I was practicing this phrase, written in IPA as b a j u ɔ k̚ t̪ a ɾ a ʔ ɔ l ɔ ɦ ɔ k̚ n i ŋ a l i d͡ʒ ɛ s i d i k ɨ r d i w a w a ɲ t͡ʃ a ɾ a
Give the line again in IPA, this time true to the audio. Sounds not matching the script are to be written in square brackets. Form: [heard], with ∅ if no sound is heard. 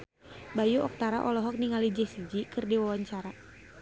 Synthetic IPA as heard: b a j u ɔ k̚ t̪ a ɾ a ʔ ɔ l ɔ ɦ ɔ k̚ n i ŋ a l i d͡ʒ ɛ s i [d͡ʒ] i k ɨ r d i w a w a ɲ t͡ʃ a ɾ a